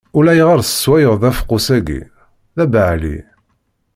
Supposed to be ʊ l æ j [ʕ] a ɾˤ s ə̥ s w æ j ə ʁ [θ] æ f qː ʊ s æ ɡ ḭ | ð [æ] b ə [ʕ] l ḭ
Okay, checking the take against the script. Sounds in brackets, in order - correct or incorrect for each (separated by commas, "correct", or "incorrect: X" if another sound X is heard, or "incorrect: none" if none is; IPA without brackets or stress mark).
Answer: incorrect: ʁ, incorrect: ð, correct, correct